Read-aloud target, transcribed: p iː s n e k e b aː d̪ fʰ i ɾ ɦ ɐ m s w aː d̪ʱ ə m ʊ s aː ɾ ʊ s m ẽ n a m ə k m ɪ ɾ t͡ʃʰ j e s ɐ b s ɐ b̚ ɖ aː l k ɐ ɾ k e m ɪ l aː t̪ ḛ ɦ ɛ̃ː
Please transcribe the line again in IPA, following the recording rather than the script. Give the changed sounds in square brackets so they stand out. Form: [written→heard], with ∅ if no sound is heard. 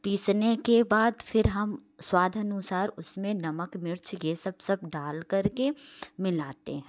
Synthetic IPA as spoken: p iː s n e k e b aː d̪ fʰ [i→ɪ] ɾ ɦ ɐ m s w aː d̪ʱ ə [m→n] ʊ s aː ɾ ʊ s m ẽ n [a→ɐ] m ə k m ɪ ɾ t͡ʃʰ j e s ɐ b s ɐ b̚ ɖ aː l k ɐ ɾ k e m ɪ l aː t̪ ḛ ɦ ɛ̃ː